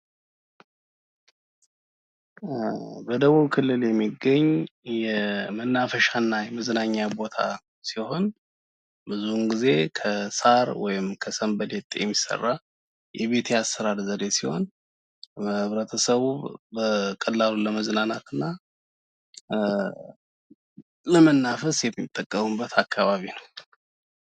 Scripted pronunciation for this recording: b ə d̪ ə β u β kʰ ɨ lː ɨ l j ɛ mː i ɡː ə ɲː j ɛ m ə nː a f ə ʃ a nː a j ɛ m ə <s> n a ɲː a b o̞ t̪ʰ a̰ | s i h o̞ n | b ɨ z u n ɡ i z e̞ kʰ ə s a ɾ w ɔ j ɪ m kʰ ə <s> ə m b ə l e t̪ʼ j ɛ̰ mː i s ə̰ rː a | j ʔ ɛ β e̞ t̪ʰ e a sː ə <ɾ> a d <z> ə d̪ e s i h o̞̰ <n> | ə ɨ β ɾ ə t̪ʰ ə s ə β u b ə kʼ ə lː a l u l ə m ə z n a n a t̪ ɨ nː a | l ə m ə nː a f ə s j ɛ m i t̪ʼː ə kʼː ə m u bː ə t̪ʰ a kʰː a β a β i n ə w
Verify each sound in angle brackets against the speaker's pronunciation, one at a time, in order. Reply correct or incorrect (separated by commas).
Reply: incorrect, correct, correct, correct, correct